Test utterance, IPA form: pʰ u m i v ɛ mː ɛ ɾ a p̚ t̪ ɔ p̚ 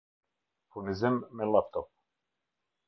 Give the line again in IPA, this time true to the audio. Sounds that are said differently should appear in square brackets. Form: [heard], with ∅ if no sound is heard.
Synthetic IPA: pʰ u [n] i [z] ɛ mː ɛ [l] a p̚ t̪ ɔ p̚